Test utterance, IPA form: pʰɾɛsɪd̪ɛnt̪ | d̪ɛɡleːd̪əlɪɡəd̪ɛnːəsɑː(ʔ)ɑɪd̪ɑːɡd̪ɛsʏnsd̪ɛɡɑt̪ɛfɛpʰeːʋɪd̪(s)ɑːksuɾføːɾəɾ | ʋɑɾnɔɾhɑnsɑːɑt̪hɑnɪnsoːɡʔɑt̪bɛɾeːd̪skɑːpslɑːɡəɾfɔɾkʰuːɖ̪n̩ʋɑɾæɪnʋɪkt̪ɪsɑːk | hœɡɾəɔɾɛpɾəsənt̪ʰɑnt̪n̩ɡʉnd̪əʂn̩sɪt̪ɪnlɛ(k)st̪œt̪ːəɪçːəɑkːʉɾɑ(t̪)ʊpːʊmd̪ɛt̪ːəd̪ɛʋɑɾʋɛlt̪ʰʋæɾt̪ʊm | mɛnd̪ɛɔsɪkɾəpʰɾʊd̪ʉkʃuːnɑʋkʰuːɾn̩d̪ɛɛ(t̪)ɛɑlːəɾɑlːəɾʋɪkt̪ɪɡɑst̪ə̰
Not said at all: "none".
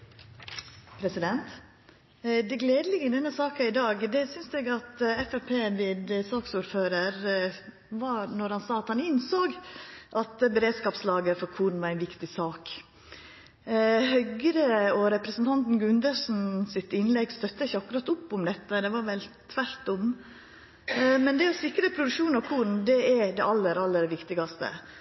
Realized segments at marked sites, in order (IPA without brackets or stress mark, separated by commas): k, s, ɡ, t̪, d̪